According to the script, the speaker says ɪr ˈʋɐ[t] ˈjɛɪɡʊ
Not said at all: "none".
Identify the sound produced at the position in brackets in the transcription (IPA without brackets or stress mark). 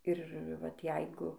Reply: t